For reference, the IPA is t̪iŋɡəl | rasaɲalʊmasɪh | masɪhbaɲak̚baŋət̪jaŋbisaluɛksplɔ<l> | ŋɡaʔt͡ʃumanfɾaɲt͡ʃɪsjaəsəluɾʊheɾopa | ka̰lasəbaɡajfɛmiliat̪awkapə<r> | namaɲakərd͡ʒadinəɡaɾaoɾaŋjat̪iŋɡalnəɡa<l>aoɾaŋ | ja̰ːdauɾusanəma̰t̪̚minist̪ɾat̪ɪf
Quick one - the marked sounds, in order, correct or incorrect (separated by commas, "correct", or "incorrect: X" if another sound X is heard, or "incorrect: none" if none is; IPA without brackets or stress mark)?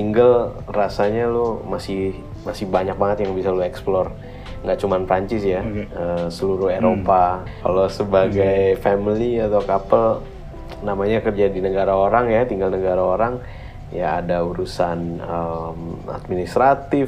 incorrect: r, incorrect: l, incorrect: ɾ